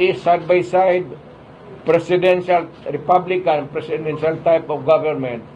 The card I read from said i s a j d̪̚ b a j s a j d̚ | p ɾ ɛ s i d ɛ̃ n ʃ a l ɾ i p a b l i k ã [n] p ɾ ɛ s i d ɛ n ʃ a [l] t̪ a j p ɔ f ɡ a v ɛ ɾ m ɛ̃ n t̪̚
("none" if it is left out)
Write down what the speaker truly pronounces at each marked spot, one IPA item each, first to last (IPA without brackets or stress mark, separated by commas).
n, l